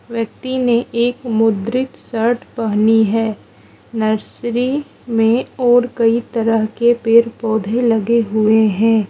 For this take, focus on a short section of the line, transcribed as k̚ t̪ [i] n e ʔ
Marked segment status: correct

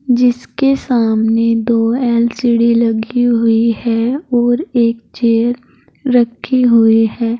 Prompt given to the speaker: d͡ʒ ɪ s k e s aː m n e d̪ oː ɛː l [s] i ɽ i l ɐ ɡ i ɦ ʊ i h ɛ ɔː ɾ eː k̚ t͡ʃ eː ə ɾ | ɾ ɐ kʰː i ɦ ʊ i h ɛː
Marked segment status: correct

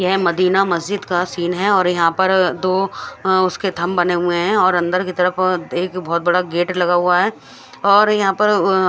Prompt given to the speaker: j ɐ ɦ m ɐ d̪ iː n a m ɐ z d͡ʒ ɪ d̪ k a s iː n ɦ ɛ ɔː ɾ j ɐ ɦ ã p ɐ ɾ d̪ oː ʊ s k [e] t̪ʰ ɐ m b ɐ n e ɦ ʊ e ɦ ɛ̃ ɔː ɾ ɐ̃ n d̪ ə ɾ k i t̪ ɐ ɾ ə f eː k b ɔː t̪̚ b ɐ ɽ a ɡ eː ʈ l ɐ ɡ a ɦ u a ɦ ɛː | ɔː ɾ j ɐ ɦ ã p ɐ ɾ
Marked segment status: correct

